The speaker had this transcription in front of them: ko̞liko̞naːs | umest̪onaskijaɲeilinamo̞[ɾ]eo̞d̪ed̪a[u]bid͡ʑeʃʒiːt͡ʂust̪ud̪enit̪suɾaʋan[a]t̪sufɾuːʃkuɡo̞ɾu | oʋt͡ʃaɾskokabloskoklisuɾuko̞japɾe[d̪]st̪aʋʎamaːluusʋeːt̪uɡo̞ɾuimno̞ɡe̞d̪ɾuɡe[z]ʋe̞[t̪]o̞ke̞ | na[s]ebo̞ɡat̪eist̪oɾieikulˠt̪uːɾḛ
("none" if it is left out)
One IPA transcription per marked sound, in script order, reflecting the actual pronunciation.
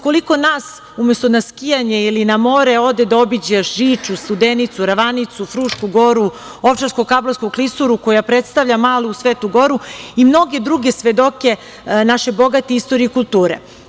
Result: ɾ, o, i, t̪, s, d̪, ʃ

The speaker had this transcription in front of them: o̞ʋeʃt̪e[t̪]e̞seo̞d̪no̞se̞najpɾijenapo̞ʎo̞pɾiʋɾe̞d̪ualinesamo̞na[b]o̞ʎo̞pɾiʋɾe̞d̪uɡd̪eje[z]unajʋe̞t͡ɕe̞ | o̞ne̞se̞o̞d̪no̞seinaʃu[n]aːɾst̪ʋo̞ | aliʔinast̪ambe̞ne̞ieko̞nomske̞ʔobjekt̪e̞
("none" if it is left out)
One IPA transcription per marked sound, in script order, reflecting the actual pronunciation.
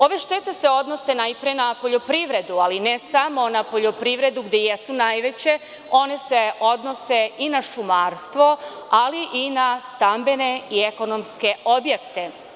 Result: t̪, p, s, m

